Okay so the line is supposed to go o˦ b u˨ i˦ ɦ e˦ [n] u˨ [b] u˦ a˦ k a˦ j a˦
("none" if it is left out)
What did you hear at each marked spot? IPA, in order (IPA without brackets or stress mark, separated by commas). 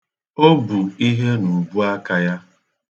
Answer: n, b